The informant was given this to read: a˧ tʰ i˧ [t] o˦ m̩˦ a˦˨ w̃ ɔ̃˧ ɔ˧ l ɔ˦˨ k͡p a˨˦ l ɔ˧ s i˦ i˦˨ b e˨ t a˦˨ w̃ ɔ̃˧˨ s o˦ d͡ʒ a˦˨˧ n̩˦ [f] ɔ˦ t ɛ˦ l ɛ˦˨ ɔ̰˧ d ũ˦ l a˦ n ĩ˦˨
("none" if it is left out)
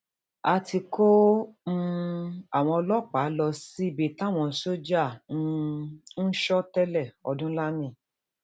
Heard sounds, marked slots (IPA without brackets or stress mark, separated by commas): k, ʃ